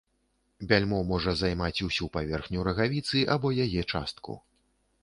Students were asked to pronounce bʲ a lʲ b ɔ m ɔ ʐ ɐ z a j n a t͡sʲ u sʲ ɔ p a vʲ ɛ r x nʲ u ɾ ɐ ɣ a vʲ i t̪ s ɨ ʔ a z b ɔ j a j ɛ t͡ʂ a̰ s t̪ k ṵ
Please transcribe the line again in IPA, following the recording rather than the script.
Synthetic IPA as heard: bʲ a lʲ m ɔ m ɔ ʐ ɐ z a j m a t͡sʲ u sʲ u p a vʲ ɛ r x nʲ u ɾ ɐ ɣ a vʲ i t̪ s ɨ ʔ a b ɔ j a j ɛ t͡ʂ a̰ s t̪ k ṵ